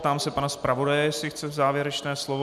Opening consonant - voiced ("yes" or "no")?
no